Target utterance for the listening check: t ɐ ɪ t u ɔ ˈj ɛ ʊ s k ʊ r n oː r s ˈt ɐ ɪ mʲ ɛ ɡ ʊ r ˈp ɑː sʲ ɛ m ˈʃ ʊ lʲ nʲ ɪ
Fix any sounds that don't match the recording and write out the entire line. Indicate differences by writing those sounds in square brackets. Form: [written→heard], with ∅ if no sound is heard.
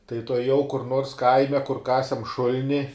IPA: t ɐ ɪ t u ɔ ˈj ɛ ʊ [s→∅] k ʊ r n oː r s [ˈt→ˈk] ɐ ɪ mʲ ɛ [ɡ→k] ʊ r [ˈp→ˈk] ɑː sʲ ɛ m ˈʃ ʊ lʲ nʲ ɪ